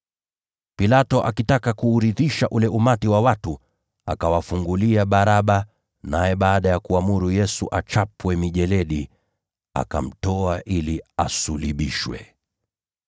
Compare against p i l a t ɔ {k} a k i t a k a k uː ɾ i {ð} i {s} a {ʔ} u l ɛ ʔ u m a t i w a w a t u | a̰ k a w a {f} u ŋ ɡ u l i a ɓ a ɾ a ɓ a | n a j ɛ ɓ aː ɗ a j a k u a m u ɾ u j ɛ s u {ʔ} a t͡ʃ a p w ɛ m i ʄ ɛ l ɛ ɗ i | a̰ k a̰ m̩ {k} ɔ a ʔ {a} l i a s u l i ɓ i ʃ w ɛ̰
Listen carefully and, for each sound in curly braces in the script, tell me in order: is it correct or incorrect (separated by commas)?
incorrect, correct, incorrect, correct, correct, correct, incorrect, incorrect